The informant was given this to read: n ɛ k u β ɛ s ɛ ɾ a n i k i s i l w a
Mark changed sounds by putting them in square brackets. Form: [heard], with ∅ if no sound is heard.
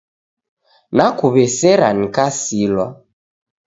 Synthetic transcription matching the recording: n [a] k u β ɛ s ɛ ɾ a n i k [a] s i l w a

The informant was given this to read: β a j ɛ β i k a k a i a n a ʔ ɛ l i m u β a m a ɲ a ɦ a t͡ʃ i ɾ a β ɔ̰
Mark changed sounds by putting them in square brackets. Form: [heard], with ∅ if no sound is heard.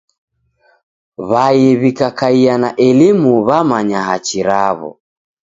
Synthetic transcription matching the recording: β a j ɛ β i k a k a i a n a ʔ ɛ l i m u β a m a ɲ a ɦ a t͡ʃ i ɾ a β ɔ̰

